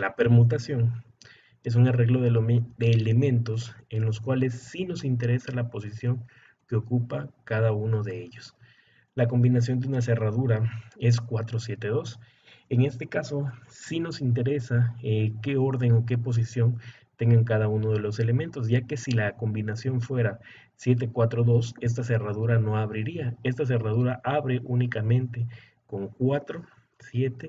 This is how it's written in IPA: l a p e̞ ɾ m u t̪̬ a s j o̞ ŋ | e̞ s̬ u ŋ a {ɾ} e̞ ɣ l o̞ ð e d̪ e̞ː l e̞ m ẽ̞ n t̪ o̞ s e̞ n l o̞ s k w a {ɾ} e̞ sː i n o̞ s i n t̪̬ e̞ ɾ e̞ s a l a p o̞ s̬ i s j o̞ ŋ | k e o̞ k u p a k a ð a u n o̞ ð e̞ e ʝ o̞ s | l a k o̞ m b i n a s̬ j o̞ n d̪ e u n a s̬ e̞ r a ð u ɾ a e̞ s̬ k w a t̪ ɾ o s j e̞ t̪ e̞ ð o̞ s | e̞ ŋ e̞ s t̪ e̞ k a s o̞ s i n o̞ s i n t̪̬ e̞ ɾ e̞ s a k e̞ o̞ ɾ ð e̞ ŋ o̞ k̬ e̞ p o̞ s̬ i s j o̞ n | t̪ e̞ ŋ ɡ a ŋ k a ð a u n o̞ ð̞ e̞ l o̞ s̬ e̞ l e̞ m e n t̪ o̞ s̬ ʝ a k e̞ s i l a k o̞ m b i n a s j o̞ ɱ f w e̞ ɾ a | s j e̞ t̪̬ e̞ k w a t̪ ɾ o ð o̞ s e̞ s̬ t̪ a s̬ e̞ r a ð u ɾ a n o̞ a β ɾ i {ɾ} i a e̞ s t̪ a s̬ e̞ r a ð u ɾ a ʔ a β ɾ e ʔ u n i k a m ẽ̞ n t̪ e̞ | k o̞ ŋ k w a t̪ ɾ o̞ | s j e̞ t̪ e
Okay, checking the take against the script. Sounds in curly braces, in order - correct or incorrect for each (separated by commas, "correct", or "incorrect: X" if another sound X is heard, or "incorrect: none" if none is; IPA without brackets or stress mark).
incorrect: r, incorrect: l, correct